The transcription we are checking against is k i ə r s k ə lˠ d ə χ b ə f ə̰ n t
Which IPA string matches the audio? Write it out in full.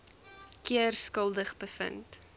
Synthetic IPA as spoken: k i ə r s k ə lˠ d ə χ b ə f ə̰ n t